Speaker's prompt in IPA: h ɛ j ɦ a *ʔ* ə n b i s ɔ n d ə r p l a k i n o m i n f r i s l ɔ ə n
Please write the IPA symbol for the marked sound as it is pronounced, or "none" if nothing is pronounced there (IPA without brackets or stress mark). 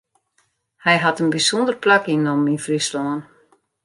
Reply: t